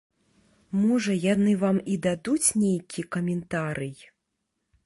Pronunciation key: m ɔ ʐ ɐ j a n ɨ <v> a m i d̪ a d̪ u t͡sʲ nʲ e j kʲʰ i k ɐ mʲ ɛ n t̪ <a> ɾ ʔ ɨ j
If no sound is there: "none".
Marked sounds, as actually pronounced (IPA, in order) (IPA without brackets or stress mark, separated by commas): v, a